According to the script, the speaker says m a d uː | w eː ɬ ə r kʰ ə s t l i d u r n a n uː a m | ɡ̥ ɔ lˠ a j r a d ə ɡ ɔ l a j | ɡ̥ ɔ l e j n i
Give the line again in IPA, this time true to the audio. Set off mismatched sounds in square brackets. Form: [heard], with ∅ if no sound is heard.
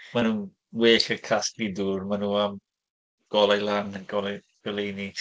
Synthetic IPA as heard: m a [n] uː | w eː ɬ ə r kʰ [a] s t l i d u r [m] a n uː a m | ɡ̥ ɔ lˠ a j [l] a [n] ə ɡ ɔ l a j | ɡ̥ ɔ l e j n i